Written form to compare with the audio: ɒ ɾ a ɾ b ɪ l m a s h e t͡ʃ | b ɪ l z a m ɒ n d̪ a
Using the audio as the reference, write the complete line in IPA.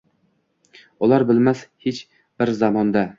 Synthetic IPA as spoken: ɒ l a ɾ b ɪ l m a s h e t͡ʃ | b ɪ ɾ z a m ɒ n d̪ a

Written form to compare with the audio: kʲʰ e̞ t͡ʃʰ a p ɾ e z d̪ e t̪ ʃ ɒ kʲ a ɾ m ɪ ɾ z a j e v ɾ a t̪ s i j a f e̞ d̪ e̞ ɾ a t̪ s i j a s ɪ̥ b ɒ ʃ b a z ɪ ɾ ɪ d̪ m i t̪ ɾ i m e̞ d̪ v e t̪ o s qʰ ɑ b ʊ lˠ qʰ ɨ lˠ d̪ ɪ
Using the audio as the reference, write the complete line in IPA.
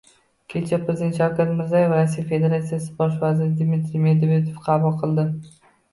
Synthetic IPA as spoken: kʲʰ e̞ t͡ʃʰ a p ɾ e z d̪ e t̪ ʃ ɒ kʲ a ɾ m ɪ ɾ z a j e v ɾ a s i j a f e̞ d̪ e̞ ɾ a t̪ s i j a s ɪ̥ b ɒ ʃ v a z ɪ ɾ ɪ d̪ m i t̪ ɾ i m e̞ d̪ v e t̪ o f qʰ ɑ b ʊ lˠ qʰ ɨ lˠ d̪ ɪ

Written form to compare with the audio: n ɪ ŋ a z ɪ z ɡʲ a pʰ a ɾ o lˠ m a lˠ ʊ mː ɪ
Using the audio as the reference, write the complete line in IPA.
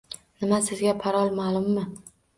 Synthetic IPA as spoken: n ɪ m a s ɪ z ɡʲ a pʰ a ɾ ɒ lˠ m a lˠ ʊ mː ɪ

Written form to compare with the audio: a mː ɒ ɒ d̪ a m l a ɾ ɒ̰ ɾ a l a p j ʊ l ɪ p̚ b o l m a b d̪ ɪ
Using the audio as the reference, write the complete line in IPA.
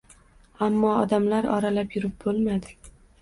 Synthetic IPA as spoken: a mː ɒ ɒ d̪ a m l a ɾ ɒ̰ ɾ a l a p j ʊ ɾ ɪ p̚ b o l m a d̪ ɪ

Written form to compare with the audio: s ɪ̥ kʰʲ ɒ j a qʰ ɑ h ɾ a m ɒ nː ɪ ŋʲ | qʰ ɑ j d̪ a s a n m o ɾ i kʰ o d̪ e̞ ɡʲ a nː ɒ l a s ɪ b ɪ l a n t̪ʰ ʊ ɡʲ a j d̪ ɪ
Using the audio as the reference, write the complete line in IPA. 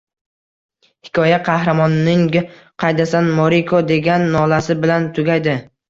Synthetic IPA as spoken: h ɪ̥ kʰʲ ɒ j a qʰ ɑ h ɾ a m ɒ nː ɪ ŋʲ | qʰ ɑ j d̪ a s a n m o ɾ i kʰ o d̪ e̞ ɡʲ a nː ɒ l a s ɪ b ɪ l a n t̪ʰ ʊ ɡʲ a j d̪ ɪ

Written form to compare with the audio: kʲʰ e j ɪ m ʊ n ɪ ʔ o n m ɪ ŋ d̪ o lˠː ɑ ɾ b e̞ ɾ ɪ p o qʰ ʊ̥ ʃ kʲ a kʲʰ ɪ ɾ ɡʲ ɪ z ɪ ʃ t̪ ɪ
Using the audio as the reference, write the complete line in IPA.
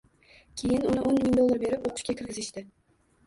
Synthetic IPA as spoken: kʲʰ e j ɪ n ʊ n ɪ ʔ o n m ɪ ŋ d̪ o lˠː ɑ ɾ b e̞ ɾ ɪ p o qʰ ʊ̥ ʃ kʲ a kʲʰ ɪ ɾ ɡʲ ɪ z ɪ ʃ t̪ ɪ

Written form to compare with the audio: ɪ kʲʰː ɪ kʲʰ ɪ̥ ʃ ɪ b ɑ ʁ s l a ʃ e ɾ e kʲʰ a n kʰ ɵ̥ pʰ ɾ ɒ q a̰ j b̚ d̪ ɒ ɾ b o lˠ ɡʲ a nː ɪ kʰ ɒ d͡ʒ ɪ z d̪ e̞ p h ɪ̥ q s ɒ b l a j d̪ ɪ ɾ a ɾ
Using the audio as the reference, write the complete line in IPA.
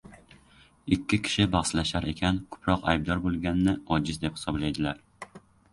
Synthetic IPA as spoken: ɪ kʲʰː ɪ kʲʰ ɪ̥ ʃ ɪ b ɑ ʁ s l a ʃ a ɾ e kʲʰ a n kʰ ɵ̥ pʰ ɾ ɒ q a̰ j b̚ d̪ ɒ ɾ b o lˠ ɡʲ a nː ɪ ɒ d͡ʒ ɪ z d̪ e̞ p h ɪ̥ s ɒ b l a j d̪ ɪ l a ɾ

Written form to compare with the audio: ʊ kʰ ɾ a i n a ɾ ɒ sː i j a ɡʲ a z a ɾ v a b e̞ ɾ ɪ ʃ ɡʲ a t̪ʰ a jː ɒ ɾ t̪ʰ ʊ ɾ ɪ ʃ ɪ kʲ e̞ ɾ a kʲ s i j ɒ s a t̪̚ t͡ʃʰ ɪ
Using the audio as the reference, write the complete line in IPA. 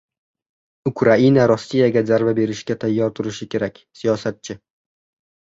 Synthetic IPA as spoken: ʊ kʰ ɾ a i n a ɾ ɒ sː i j a ɡʲ a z a ɾ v a b e̞ ɾ ɪ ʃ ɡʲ a t̪ʰ a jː ɒ ɾ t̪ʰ ʊ ɾ ɪ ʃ ɪ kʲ e̞ ɾ a kʲ s i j ɒ s a t̪̚ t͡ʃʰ ɪ

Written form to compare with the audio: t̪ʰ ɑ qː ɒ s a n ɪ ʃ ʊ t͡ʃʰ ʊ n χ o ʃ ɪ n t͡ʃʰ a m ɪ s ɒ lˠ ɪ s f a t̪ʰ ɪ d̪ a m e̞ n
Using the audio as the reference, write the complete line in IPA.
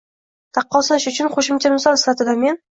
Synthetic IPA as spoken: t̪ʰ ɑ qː ɒ s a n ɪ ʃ ʊ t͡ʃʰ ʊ n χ o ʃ ɪ m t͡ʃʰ a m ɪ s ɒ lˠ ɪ s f a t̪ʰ ɪ d̪ a m e̞ n

